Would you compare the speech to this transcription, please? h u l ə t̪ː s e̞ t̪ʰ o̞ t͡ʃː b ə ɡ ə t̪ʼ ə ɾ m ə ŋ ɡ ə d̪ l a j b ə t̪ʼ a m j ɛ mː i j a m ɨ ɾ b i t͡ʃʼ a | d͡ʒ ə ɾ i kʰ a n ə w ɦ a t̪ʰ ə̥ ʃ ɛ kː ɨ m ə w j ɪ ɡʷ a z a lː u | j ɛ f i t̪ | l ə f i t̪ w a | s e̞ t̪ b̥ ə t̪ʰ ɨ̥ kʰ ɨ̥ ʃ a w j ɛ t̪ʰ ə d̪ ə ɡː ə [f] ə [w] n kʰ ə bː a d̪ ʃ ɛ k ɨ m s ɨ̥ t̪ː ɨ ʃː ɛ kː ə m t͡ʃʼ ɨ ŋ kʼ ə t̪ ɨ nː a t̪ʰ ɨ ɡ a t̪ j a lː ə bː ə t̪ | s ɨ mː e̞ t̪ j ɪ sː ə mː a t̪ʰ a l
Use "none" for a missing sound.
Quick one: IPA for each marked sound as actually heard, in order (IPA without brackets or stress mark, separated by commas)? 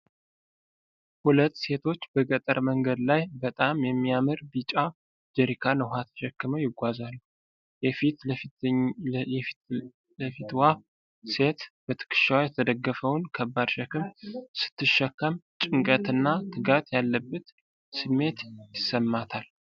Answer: f, w